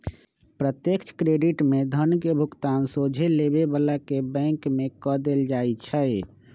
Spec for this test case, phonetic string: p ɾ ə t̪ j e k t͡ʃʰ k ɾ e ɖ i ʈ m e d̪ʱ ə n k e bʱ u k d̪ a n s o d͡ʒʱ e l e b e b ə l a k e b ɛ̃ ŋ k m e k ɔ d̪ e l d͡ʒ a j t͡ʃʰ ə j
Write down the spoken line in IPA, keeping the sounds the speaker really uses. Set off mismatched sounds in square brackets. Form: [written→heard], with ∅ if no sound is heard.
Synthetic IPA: p ɾ ə t̪ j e k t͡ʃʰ k ɾ e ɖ i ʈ m e d̪ʱ ə n k e bʱ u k [d̪→t̪] a n s o d͡ʒʱ e l e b e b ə l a k e b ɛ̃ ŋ k m e k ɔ d̪ e l d͡ʒ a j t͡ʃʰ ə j